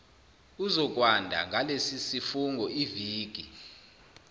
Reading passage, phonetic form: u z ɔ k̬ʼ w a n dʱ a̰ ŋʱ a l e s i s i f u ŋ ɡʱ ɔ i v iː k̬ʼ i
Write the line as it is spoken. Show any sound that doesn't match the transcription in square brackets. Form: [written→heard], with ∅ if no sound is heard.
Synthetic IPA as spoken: u z ɔ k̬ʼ w a n dʱ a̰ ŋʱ a l e s i s i f u ŋ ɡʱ ɔ i v iː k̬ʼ i